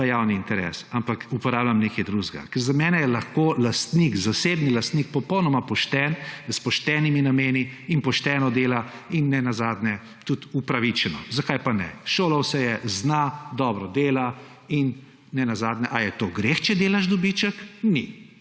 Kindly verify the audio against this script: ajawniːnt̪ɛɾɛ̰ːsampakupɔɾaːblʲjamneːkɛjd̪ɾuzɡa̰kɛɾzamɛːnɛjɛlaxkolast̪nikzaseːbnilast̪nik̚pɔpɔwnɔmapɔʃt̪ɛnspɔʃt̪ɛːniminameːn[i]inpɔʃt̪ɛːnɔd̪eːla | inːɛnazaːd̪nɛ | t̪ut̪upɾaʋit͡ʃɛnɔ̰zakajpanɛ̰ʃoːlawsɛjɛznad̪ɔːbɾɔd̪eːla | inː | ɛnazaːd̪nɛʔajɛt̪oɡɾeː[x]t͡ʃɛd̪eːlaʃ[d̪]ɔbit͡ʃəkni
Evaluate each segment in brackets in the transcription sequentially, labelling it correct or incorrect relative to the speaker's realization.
correct, correct, correct

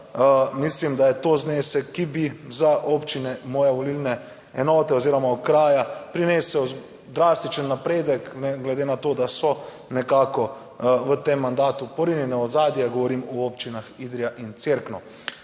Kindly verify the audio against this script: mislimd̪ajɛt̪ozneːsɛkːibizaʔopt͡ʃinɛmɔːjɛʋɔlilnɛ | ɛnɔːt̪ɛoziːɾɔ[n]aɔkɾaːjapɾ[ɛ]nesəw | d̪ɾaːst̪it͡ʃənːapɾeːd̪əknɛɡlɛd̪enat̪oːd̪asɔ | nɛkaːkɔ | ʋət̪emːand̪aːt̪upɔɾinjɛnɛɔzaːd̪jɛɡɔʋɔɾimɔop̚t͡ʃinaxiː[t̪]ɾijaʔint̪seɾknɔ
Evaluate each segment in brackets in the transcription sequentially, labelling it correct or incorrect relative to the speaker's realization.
incorrect, incorrect, incorrect

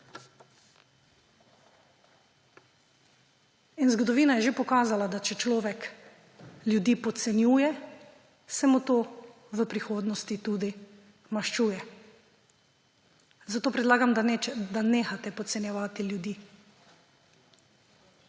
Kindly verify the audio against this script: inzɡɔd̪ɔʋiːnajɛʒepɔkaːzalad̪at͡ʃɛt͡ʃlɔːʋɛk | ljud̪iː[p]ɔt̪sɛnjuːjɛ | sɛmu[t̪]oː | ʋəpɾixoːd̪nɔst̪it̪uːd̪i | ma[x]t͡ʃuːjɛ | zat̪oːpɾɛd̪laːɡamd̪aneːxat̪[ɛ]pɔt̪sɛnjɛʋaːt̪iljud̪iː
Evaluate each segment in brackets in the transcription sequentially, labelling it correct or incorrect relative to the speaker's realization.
correct, correct, incorrect, correct

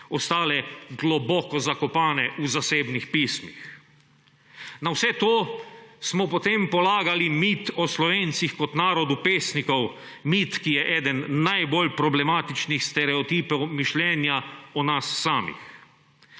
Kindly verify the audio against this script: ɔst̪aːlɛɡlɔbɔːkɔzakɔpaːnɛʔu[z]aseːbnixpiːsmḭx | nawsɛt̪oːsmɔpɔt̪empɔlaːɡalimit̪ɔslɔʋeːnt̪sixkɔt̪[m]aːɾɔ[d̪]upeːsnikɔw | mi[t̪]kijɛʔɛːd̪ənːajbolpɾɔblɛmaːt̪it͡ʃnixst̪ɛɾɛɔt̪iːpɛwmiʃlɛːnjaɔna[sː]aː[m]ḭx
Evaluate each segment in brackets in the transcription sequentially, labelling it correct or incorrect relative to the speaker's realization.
correct, incorrect, correct, correct, correct, correct

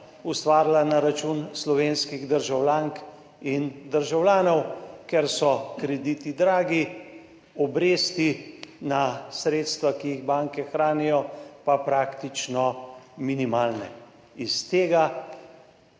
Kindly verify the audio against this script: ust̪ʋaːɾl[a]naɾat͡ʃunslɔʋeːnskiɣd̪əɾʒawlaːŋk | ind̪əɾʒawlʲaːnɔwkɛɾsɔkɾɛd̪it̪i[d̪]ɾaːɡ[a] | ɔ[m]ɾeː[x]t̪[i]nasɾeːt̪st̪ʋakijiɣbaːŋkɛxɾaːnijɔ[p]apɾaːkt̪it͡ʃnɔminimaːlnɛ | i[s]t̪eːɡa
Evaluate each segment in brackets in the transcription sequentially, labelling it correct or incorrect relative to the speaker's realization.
correct, correct, incorrect, incorrect, incorrect, correct, correct, correct

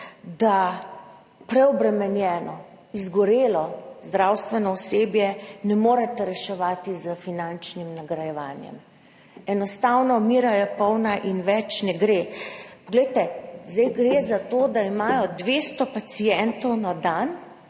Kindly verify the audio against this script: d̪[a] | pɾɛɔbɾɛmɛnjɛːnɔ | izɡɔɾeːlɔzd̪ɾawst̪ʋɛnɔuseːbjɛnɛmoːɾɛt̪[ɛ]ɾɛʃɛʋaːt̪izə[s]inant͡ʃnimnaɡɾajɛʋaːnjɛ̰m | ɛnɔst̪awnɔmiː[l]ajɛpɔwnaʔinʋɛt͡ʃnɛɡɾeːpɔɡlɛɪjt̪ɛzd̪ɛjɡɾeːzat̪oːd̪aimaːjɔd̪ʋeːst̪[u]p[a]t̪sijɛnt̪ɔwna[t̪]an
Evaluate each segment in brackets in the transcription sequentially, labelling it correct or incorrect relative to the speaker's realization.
correct, correct, incorrect, incorrect, incorrect, correct, incorrect

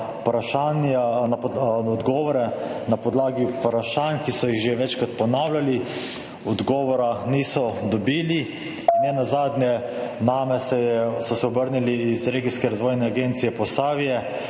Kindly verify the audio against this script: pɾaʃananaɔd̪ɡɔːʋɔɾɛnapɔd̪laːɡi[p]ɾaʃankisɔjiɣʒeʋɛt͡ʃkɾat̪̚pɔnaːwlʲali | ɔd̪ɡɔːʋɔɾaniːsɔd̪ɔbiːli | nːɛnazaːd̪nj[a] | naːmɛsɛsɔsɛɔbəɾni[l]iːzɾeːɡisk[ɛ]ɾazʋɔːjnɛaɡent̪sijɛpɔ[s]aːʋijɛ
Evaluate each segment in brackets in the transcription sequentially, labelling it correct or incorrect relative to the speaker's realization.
correct, incorrect, correct, correct, correct

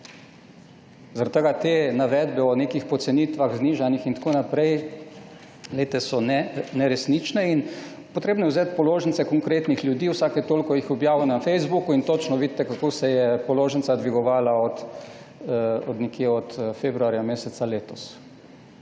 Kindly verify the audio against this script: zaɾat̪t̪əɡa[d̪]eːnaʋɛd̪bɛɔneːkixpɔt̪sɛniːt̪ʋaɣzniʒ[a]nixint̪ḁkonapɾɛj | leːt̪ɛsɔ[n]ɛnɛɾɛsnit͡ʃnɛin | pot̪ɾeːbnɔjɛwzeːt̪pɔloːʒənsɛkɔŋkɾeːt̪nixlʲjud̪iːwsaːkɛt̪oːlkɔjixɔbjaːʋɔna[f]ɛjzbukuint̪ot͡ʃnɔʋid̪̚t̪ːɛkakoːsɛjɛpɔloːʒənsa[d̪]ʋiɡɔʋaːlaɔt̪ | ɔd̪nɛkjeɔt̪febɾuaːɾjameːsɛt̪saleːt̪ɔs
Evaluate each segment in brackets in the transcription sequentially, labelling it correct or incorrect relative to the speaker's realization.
incorrect, correct, correct, correct, correct

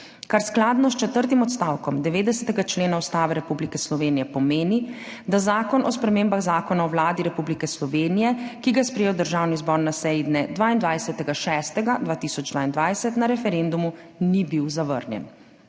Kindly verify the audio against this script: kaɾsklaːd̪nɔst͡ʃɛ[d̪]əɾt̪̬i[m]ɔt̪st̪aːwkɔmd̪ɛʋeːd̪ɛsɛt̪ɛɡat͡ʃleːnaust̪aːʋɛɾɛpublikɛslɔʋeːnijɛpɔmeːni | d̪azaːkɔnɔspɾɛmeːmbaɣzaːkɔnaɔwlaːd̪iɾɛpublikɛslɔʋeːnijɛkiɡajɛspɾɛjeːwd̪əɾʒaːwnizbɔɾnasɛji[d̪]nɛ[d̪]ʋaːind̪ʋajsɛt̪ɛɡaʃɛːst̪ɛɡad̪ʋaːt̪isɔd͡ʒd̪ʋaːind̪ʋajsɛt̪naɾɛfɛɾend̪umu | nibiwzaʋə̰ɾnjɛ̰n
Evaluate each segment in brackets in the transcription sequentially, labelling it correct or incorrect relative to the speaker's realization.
incorrect, correct, correct, correct

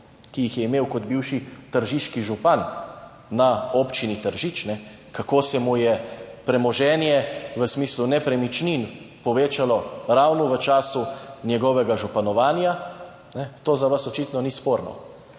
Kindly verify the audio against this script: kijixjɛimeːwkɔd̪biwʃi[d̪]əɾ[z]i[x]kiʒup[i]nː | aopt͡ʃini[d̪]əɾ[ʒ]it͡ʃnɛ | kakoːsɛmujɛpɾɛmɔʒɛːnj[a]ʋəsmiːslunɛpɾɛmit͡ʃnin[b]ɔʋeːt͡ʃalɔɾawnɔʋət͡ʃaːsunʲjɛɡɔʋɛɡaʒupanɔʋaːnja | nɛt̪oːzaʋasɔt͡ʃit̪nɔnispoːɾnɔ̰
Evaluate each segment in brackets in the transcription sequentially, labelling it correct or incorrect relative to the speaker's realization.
incorrect, incorrect, incorrect, incorrect, incorrect, correct, incorrect, incorrect

